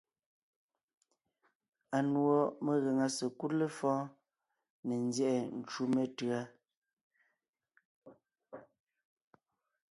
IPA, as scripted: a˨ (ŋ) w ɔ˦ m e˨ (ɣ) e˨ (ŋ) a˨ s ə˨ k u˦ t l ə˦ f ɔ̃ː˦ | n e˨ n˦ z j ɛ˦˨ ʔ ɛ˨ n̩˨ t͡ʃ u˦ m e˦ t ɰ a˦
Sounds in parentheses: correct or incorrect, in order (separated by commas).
incorrect, correct, correct